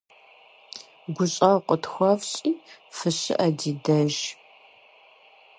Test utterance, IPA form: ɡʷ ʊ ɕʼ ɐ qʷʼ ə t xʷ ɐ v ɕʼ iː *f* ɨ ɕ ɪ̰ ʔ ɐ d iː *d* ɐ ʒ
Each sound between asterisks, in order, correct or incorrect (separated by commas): correct, correct